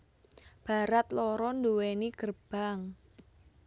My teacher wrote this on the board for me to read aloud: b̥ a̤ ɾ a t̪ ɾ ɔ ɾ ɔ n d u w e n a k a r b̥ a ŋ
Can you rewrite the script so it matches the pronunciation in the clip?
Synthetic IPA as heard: b̥ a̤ ɾ a t̪ l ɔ ɾ ɔ n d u w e n i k ə r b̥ a ŋ